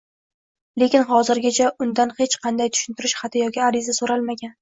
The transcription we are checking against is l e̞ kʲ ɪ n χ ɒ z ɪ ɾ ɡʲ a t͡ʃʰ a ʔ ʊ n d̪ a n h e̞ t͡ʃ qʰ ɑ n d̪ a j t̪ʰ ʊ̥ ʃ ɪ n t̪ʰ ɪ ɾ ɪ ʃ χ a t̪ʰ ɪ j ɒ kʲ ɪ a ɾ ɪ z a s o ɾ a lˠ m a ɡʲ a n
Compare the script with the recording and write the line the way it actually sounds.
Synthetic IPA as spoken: l e̞ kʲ ɪ n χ ɒ z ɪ ɾ ɡʲ a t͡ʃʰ a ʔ ʊ n d̪ a n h e̞ t͡ʃ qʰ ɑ n d̪ a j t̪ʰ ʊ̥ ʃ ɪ n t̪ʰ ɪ ɾ ɪ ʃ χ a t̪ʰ ɪ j ɒ kʲ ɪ a ɾ ɪ z a s o ɾ a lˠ m a ɡʲ a n